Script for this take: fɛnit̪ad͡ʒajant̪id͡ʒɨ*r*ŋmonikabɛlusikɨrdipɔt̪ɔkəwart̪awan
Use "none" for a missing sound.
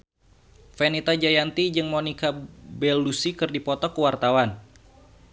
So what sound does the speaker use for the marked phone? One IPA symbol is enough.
none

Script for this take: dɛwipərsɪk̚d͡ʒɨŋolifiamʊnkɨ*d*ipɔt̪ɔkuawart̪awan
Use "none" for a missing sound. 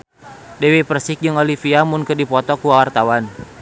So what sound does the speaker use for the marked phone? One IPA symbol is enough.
d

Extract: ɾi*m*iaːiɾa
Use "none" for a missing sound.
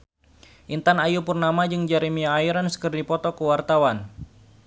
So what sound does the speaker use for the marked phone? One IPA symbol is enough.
m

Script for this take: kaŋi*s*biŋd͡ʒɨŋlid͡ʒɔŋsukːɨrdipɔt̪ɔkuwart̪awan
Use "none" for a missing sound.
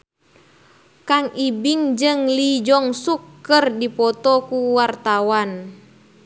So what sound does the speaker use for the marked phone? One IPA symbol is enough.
none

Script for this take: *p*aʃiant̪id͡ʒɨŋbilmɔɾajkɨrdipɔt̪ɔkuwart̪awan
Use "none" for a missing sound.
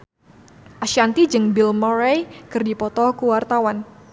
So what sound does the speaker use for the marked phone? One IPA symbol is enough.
ʔ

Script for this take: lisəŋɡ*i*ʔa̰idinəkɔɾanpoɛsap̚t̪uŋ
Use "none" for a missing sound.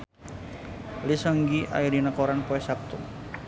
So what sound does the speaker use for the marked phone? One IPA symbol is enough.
i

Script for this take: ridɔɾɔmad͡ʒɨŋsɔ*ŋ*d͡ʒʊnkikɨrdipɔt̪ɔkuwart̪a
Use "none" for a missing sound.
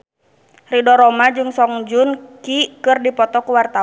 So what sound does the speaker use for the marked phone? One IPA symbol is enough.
ŋ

